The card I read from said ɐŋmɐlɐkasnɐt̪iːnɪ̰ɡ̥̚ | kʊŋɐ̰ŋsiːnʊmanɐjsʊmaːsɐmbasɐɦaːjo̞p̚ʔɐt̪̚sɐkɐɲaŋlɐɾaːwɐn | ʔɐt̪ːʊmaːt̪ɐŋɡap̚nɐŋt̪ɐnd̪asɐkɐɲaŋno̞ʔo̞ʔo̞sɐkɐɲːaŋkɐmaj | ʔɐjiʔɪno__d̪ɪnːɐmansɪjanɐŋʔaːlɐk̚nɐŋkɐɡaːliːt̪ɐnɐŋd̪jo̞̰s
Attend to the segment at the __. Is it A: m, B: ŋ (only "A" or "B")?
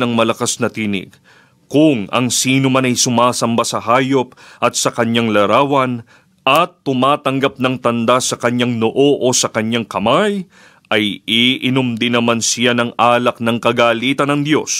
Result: A